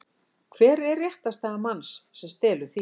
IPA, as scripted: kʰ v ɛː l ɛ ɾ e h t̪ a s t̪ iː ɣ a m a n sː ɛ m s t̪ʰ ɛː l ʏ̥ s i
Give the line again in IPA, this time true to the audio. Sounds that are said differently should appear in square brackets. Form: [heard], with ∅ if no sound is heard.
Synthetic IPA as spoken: kʰ v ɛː [ɾ] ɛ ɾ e h t̪ a s t̪ [aː] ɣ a m a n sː ɛ m s [t̪] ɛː l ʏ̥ [θ] i